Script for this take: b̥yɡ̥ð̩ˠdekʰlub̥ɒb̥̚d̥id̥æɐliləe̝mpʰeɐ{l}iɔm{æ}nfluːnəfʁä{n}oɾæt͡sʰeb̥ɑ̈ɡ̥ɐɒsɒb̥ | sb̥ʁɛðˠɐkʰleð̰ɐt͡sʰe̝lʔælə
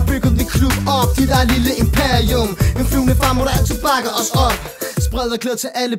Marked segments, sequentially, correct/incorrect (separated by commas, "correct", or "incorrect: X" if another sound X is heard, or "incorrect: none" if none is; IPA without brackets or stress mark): incorrect: none, incorrect: e, incorrect: m